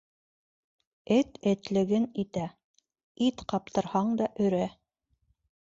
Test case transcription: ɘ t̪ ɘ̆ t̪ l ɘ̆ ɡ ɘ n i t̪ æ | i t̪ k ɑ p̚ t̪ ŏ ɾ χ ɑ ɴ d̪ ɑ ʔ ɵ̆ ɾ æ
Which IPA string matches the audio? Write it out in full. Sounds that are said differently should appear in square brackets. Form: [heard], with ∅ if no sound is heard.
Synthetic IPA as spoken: ɘ t̪ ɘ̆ t̪ l ɘ̆ ɡ ɘ n i t̪ æ | i t̪ [q] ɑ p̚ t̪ [ɤ̆] ɾ [h] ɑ ɴ d̪ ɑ ʔ ɵ̆ ɾ æ